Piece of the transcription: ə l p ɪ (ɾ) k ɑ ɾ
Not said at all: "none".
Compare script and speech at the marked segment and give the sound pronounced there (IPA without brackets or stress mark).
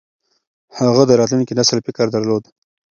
none